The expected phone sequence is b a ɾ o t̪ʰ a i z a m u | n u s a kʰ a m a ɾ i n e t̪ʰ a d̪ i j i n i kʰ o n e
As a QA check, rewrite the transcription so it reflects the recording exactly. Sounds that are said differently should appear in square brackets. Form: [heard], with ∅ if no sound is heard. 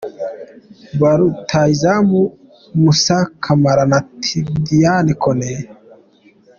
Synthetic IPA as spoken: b a ɾ [u] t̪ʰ a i z a m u | [m] u s a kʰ a m a ɾ [a] n [a] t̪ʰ [i] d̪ i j [a] n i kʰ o n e